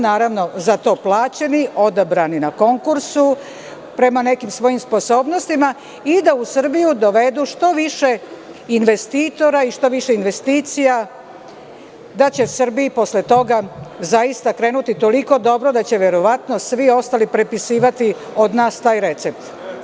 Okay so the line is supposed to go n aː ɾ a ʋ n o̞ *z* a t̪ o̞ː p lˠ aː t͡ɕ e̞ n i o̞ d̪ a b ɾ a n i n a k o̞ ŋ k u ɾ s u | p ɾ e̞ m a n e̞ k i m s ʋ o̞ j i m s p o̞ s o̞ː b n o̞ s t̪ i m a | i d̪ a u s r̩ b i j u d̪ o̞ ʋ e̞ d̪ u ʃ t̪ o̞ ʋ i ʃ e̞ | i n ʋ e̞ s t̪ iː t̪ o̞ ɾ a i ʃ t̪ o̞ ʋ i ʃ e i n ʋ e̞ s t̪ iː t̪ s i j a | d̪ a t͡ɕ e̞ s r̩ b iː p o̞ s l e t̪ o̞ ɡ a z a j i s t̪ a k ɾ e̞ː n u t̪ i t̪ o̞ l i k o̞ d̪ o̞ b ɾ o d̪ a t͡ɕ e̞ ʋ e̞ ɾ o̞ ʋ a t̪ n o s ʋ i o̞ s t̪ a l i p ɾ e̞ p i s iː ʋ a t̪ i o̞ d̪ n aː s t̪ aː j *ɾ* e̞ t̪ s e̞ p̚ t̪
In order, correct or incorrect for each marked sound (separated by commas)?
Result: correct, correct